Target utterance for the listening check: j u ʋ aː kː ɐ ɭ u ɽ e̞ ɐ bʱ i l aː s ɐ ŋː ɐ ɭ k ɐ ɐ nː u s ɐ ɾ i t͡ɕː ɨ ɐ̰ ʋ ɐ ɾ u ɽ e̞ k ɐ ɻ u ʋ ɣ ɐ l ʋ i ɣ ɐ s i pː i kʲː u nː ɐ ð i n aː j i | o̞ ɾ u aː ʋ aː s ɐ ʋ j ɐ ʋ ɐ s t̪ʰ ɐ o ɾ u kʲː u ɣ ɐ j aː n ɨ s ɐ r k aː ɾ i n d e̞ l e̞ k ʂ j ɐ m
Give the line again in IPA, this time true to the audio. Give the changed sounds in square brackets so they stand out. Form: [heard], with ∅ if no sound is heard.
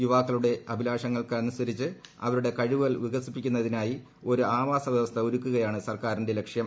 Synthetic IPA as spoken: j u ʋ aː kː ɐ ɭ u ɽ e̞ ɐ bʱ i l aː [ʂ] ɐ ŋː ɐ ɭ k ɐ ɐ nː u s ɐ ɾ i t͡ɕː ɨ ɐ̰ ʋ ɐ ɾ u ɽ e̞ k ɐ ɻ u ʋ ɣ ɐ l ʋ i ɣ ɐ s i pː i kʲː u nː ɐ ð i n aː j i | o̞ ɾ u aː ʋ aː s ɐ ʋ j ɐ ʋ ɐ s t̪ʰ ɐ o ɾ u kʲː u ɣ ɐ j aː [ɳ] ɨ s ɐ r k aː ɾ i n d e̞ l e̞ k ʂ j ɐ m